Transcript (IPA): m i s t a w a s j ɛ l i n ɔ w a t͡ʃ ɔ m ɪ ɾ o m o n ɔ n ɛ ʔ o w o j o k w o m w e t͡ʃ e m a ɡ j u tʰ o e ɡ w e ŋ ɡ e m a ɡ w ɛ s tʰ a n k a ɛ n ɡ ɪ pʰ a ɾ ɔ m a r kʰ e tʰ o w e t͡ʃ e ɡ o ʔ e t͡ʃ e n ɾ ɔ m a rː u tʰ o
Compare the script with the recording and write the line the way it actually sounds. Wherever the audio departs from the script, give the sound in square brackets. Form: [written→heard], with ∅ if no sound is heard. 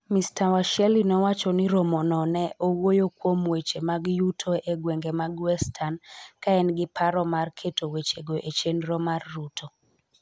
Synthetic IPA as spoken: m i s t a w a [s→ʃ] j ɛ l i n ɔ w a t͡ʃ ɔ [m→n] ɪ ɾ o m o n ɔ n ɛ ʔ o w o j o k w o m w e t͡ʃ e m a ɡ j u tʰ o e ɡ w e ŋ ɡ e m a ɡ w ɛ s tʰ a n k a ɛ n ɡ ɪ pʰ a ɾ ɔ m a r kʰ e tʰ o w e t͡ʃ e ɡ o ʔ e t͡ʃ e n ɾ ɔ m a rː u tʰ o